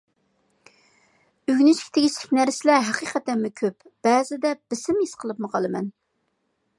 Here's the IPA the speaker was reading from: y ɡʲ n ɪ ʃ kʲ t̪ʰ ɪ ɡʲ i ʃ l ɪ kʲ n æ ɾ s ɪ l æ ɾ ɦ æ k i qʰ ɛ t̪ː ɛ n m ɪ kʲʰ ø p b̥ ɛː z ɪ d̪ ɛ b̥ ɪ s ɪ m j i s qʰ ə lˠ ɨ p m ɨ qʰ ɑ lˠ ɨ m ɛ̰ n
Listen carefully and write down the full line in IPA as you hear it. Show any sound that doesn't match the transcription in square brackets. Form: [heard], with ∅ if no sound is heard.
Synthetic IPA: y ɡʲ n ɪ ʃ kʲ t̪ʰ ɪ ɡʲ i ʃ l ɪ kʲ n æ ɾ s ɪ l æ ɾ ɦ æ [q] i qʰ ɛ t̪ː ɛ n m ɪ kʲʰ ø p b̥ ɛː z ɪ d̪ ɛ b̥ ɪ s ɪ m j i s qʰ ə lˠ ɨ p m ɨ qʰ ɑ lˠ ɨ m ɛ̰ n

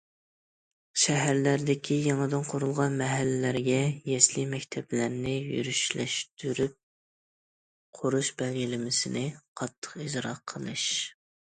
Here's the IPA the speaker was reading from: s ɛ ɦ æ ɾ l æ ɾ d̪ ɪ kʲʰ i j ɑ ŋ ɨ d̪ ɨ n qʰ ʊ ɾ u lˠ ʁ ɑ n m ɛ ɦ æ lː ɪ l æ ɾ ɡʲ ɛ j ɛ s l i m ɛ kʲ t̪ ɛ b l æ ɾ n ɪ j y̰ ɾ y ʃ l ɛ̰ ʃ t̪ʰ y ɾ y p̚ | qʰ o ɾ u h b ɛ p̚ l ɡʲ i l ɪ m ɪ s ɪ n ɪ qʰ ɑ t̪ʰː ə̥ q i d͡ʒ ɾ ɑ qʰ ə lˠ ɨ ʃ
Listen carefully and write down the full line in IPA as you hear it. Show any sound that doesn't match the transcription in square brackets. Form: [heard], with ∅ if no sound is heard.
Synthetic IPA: [ʃ] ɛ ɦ æ ɾ l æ ɾ d̪ ɪ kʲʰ i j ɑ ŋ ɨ d̪ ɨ n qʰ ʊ ɾ u lˠ ʁ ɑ n m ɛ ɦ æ lː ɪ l æ ɾ ɡʲ ɛ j ɛ s l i m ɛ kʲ [t̪ʰ] ɛ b l æ ɾ n ɪ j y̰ ɾ y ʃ l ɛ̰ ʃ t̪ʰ y ɾ y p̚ | qʰ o ɾ u [ʃ] b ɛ [∅] l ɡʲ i l ɪ m ɪ s ɪ n ɪ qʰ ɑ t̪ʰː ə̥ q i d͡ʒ ɾ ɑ qʰ ə lˠ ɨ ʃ

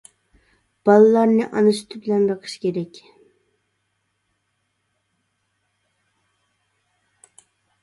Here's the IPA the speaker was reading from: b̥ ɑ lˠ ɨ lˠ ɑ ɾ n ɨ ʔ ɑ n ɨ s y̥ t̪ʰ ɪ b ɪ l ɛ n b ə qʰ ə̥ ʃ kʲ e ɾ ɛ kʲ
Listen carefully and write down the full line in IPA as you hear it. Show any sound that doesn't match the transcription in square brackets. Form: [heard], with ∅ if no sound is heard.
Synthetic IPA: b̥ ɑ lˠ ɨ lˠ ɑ ɾ n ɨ ʔ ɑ n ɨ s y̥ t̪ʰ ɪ b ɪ l ɛ n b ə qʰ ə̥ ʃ kʲ e ɾ ɛ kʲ

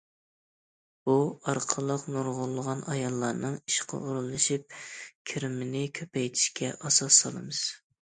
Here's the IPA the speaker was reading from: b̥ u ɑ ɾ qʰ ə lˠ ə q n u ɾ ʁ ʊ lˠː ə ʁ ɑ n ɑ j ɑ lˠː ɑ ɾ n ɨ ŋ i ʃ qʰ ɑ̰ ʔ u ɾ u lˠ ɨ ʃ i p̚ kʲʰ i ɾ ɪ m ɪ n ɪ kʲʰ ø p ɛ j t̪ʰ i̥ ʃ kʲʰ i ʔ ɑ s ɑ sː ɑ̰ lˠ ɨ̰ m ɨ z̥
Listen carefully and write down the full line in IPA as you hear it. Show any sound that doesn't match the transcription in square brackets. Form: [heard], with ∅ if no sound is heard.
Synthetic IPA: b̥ u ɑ ɾ qʰ ə lˠ ə q n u ɾ ʁ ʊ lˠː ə ʁ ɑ n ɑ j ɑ lˠː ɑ ɾ n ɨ ŋ i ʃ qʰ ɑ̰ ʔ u ɾ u lˠ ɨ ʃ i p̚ kʲʰ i ɾ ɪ m ɪ n ɪ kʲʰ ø p ɛ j t̪ʰ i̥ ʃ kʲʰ [ɛ] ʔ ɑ s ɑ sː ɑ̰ lˠ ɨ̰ m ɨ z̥

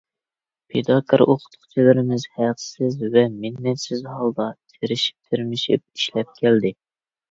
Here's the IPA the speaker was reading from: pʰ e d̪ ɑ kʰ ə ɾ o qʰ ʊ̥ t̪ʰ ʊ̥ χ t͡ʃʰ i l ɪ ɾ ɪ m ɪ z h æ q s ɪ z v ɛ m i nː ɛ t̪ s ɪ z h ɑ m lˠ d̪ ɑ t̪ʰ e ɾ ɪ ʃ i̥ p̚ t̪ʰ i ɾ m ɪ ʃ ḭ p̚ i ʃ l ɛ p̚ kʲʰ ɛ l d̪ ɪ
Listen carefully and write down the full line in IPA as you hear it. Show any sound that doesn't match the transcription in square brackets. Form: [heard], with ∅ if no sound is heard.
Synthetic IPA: pʰ e d̪ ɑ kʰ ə ɾ o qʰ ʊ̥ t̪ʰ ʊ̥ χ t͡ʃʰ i l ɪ ɾ ɪ m ɪ z h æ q s ɪ z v ɛ m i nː ɛ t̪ s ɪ z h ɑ [∅] lˠ d̪ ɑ t̪ʰ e ɾ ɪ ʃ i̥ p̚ t̪ʰ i ɾ m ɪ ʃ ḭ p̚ i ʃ l ɛ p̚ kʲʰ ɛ l d̪ ɪ

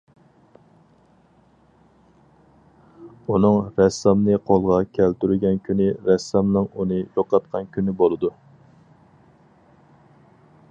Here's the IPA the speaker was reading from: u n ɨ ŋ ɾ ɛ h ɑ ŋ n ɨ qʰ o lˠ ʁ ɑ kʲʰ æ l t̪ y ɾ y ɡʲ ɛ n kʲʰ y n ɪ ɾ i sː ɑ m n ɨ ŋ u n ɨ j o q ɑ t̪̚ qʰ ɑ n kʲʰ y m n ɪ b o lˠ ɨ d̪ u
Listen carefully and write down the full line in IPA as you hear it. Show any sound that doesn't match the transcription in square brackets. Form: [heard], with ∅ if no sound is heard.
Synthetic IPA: u n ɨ ŋ ɾ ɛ [s] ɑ [m] n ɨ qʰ o lˠ ʁ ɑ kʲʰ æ l t̪ y ɾ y ɡʲ ɛ n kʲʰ y n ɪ ɾ [ɛ] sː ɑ m n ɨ ŋ u n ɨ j o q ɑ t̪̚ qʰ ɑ n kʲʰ y [∅] n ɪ b o lˠ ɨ d̪ u

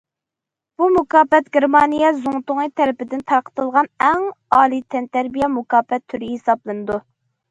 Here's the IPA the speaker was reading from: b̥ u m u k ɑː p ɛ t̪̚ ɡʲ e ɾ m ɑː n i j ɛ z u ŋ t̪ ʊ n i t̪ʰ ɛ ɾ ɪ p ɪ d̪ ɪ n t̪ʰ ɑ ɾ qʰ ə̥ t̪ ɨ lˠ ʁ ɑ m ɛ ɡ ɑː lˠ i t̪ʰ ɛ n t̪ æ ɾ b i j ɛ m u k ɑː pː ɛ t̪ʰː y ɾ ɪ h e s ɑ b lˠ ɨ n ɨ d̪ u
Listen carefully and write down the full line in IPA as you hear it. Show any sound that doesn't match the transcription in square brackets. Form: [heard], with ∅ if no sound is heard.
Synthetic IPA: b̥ u m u k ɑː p ɛ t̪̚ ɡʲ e ɾ m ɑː n i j ɛ z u ŋ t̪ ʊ [ŋ] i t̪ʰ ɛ ɾ ɪ p ɪ d̪ ɪ n t̪ʰ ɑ ɾ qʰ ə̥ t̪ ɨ lˠ ʁ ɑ [n] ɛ [ŋ] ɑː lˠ i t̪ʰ ɛ n t̪ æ ɾ b i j ɛ m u k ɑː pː ɛ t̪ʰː y ɾ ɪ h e s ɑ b lˠ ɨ n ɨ d̪ u

